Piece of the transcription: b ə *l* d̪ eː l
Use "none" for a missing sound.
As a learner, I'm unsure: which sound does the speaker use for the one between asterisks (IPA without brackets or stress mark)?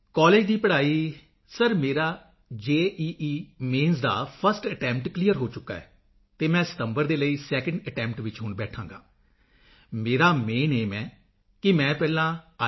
ɾ